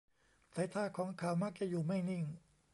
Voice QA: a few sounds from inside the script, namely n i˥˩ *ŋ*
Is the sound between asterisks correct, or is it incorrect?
correct